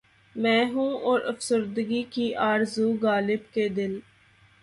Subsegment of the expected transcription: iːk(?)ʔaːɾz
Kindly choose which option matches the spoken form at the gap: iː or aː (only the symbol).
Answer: iː